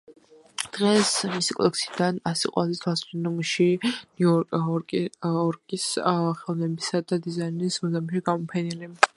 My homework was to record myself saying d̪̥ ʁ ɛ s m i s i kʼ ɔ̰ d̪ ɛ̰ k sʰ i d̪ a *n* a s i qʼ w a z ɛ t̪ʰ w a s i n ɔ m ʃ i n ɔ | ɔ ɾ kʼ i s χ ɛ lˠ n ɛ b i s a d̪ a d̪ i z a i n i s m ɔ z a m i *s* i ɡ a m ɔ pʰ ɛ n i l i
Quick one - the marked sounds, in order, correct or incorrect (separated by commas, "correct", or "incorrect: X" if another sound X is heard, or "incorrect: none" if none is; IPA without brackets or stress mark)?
correct, incorrect: ʃ